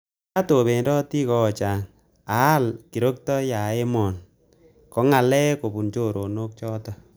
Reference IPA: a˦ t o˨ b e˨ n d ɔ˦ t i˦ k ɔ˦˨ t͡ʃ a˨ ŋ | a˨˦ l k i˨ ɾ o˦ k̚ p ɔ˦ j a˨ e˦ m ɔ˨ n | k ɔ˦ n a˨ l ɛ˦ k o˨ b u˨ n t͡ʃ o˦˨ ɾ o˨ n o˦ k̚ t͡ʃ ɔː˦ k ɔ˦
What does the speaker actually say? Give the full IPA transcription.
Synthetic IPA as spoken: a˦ t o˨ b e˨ n d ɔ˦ t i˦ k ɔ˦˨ t͡ʃ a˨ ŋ | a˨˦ l k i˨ ɾ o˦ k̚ t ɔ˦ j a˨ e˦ m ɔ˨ n | k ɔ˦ ŋ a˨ l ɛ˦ k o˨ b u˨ n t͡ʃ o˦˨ ɾ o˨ n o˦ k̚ t͡ʃ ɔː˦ t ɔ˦